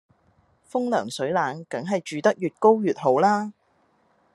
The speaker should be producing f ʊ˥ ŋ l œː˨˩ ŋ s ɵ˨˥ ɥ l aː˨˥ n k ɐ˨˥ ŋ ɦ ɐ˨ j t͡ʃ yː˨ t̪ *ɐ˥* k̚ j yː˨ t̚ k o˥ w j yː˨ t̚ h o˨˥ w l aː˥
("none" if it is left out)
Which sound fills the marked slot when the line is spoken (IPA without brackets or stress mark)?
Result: ɐ˥